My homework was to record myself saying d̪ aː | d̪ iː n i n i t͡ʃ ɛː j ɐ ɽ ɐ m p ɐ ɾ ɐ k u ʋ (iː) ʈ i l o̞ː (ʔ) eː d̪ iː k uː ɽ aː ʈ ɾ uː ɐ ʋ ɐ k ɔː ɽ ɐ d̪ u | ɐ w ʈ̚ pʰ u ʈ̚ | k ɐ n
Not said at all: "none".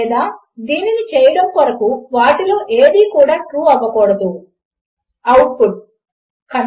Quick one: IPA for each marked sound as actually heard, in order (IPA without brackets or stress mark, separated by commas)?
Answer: aː, ʔ